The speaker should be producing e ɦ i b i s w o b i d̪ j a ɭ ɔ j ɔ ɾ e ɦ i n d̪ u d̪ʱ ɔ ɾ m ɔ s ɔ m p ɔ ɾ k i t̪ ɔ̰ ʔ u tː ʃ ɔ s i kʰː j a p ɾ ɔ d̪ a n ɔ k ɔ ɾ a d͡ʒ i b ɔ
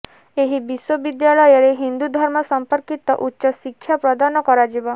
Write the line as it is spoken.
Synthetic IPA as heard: e ɦ i b i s w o b i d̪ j a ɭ ɔ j ɔ ɾ e ɦ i n d̪ u d̪ʱ ɔ ɾ m ɔ s ɔ m p ɔ ɾ k i t̪ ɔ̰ ʔ u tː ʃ ɔ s i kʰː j a p ɾ ɔ d̪ a n ɔ k ɔ ɾ a d͡ʒ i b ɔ